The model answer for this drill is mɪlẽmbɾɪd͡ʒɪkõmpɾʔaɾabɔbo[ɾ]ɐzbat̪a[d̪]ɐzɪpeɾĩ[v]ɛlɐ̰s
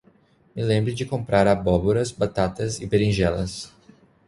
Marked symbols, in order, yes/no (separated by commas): yes, no, no